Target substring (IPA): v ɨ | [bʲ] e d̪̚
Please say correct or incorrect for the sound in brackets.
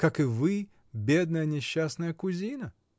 correct